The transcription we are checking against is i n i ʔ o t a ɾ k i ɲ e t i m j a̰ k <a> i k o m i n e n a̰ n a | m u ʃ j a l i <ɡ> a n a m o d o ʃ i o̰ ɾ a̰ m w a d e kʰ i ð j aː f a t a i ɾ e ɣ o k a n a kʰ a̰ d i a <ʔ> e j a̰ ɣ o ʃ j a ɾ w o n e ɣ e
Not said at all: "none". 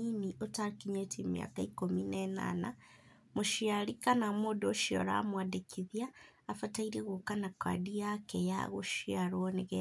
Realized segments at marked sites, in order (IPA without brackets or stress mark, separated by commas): a, k, k